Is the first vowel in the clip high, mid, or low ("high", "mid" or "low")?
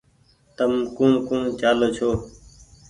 mid